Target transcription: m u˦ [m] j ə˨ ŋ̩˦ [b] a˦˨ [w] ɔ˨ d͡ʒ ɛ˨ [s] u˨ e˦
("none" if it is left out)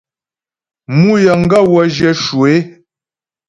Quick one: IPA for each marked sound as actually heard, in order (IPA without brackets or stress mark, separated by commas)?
none, ɡ, w, ʃ